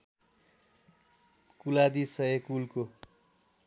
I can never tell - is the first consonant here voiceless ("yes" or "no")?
yes